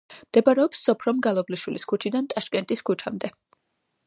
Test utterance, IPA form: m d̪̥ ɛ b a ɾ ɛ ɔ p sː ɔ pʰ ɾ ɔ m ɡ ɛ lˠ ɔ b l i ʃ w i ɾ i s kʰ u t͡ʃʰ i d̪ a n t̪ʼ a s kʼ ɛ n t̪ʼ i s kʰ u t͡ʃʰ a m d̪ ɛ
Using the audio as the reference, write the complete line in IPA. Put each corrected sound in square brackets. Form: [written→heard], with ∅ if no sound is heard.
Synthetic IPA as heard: m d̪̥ ɛ b a ɾ ɛ ɔ p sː ɔ pʰ ɾ ɔ m ɡ [ɛ→a] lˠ ɔ b l i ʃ w i [ɾ→l] i s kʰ u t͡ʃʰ i d̪ a n t̪ʼ a [s→ʃ] kʼ ɛ n t̪ʼ i s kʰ u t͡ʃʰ a m d̪ ɛ